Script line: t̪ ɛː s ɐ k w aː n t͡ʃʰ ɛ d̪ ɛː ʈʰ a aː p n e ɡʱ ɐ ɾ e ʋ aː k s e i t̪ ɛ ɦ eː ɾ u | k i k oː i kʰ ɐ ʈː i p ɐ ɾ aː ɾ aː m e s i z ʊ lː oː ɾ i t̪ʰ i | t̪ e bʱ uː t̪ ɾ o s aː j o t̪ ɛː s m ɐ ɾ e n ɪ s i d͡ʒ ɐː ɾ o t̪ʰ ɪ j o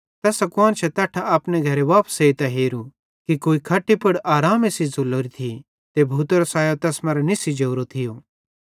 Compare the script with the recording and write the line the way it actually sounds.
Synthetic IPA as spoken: t̪ ɛː s ɐ k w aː n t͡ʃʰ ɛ t̪ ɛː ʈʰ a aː p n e ɡʱ ɐ ɾ e ʋ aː p s e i t̪ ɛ ɦ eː ɾ u | k i k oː i kʰ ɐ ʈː i p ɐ ɽ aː ɾ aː m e s i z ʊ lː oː ɾ i t̪ʰ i | t̪ e bʱ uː t̪ ɾ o s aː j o t̪ ɛː s m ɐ ɾ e n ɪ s i d͡ʒ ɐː ɾ o t̪ʰ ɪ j o

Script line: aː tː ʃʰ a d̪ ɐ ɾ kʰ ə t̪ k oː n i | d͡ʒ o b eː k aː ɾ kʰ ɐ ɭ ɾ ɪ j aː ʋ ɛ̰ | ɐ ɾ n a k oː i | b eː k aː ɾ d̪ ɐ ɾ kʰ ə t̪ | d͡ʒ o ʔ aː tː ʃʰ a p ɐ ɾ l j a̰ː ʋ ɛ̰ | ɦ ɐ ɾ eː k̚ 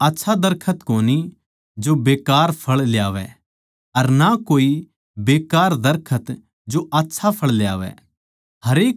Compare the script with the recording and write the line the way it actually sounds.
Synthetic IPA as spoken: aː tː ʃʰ a d̪ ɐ ɾ kʰ ə t̪ k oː n i | d͡ʒ o b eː k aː ɾ pʰ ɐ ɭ l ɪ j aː ʋ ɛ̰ | ɐ ɾ n a k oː i | b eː k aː ɾ d̪ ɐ ɾ kʰ ə t̪ | d͡ʒ o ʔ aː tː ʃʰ a pʰ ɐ ɭ l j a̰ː ʋ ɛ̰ | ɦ ɐ ɾ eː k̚

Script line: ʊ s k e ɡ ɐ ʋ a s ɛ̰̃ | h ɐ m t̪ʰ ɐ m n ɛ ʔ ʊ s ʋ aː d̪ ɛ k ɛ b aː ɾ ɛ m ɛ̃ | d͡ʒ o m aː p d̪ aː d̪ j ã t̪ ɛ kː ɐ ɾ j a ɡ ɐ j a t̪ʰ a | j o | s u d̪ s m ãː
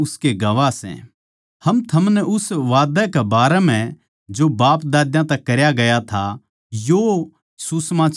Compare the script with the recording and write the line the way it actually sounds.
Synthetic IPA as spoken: ʊ s k e ɡ ɐ ʋ a s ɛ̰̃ | h ɐ m t̪ʰ ɐ m n ɛ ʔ ʊ s ʋ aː d̪ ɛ k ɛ b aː ɾ ɛ m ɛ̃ | d͡ʒ o b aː p d̪ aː d̪ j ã t̪ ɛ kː ɐ ɾ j a ɡ ɐ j a t̪ʰ a | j o | s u s m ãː

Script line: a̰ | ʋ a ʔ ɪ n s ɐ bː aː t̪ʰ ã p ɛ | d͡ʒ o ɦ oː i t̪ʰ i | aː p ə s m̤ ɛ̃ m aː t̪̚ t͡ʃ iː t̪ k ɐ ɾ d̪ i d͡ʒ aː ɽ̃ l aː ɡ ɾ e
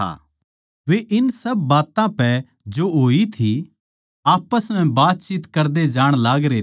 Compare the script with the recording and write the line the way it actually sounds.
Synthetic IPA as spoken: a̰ | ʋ e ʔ ɪ n s ɐ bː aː t̪ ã p ɛ | d͡ʒ o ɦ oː i t̪ʰ i | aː p ə s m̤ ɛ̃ b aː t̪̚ t͡ʃ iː t̪ k ɐ ɾ d̪ e d͡ʒ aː ɽ̃ l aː ɡ ɾ e

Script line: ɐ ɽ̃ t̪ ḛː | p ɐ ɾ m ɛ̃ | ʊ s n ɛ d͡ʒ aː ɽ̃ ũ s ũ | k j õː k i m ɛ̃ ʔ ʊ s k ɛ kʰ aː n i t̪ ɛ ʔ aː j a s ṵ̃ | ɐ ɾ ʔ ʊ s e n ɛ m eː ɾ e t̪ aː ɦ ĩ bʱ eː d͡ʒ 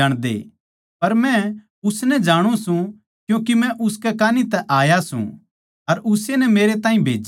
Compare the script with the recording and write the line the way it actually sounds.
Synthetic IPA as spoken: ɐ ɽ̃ d̪ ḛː | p ɐ ɾ m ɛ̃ | ʊ s n ɛ d͡ʒ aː ɽ̃ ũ s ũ | k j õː k i m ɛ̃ ʔ ʊ s k ɛ k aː n i t̪ ɛ ʔ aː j a s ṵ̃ | ɐ ɾ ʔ ʊ s e n ɛ m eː ɾ e t̪ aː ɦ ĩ bʱ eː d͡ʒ

